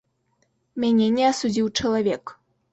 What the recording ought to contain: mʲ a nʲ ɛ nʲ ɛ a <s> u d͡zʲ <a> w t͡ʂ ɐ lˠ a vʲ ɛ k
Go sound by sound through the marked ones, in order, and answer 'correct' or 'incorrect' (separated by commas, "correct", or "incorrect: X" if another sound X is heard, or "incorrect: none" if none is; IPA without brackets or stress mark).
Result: correct, incorrect: i